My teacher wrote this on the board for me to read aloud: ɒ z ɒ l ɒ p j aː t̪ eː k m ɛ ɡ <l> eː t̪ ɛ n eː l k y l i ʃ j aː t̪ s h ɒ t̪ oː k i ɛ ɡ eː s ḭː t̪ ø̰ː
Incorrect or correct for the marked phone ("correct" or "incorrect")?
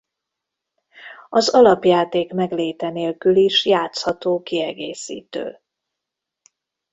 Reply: correct